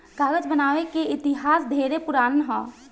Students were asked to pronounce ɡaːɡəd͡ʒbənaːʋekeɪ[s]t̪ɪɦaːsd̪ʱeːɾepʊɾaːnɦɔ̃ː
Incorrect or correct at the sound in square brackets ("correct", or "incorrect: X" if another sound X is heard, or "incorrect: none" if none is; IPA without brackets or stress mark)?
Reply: incorrect: none